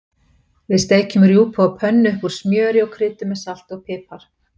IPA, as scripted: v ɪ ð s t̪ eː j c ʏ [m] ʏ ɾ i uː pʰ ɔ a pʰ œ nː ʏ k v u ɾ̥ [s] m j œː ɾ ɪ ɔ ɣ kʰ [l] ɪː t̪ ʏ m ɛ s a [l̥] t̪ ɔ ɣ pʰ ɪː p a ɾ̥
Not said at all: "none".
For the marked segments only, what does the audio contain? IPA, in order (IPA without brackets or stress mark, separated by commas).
m, s, ɾ, l̥